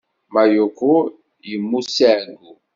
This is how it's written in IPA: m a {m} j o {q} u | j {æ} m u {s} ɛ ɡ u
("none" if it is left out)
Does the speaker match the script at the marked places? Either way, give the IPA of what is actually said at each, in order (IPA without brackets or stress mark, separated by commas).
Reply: none, k, i, s